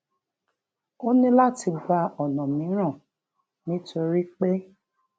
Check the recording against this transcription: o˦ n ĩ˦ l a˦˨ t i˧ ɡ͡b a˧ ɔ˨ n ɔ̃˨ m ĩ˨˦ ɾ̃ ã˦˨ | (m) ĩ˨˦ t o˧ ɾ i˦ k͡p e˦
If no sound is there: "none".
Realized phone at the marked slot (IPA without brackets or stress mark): n